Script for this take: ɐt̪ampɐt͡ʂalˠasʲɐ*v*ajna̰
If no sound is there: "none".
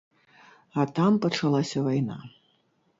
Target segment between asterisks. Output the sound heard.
v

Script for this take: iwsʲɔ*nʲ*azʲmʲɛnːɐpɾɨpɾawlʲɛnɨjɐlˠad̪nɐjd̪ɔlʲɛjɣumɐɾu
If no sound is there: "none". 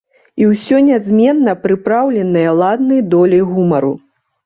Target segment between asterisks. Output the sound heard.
nʲ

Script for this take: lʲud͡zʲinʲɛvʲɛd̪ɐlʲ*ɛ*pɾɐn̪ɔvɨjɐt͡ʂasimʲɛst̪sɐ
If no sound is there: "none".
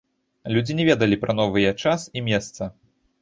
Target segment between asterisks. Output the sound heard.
i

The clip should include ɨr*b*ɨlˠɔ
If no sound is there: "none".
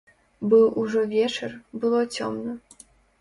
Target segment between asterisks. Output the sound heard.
b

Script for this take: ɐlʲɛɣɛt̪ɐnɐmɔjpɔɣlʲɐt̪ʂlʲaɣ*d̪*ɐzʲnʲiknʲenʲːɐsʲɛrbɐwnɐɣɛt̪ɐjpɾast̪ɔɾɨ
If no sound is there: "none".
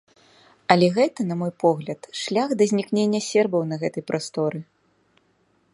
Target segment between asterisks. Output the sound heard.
d̪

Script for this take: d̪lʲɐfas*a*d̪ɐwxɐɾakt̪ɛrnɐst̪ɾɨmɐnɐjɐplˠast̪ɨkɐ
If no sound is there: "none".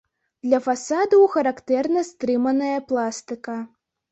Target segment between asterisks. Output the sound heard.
a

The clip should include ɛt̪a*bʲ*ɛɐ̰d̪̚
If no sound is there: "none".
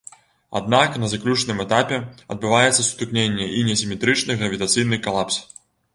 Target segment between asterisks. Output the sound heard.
pʲ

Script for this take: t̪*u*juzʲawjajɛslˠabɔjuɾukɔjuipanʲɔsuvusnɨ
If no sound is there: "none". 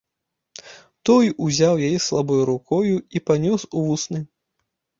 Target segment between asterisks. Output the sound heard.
ɔ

